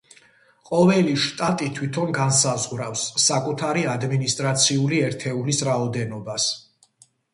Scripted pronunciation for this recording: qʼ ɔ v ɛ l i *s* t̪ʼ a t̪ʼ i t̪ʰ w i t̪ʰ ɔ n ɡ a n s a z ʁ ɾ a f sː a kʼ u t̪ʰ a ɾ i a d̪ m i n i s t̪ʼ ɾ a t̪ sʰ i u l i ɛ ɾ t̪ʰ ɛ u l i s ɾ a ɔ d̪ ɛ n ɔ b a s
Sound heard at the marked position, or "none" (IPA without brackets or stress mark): ʃ